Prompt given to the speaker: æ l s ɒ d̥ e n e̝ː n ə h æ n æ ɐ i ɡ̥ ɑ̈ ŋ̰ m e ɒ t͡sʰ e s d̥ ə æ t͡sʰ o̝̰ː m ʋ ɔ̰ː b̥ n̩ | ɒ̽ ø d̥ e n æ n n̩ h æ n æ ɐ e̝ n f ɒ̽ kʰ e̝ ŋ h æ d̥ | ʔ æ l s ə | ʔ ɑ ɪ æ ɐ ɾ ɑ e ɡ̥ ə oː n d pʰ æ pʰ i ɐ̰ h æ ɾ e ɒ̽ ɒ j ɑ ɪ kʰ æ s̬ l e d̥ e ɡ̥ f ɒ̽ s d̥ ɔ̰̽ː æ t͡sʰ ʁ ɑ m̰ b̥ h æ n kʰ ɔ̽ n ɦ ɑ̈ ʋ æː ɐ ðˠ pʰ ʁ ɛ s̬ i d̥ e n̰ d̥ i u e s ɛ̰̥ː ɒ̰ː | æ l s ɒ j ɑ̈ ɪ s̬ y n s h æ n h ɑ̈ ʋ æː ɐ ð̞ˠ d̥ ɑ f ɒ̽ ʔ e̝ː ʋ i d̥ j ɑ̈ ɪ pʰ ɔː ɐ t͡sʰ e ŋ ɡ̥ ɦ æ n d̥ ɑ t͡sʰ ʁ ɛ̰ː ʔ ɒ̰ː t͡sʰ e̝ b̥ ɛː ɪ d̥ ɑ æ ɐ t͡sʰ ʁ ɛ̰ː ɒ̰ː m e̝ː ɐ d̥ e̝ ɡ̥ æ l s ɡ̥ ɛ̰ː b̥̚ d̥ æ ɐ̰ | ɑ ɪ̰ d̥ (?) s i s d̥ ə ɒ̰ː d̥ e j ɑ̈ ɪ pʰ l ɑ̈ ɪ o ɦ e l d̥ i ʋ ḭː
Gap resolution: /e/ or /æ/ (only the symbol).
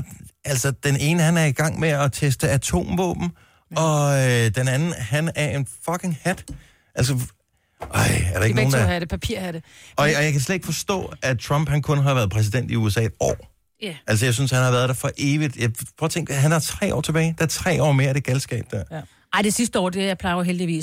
e